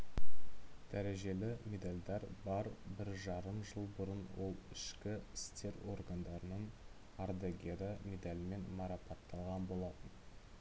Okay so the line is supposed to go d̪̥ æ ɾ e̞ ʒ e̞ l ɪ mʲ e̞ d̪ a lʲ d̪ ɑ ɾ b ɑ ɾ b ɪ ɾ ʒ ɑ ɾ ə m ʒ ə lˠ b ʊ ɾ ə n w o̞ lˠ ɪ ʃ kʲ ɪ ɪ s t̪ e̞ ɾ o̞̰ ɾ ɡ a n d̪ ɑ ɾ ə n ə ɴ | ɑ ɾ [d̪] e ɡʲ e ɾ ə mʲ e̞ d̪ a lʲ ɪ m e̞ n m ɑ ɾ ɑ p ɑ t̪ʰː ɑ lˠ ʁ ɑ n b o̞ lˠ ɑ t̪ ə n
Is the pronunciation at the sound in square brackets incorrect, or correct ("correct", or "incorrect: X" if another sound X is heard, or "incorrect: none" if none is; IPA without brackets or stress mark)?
correct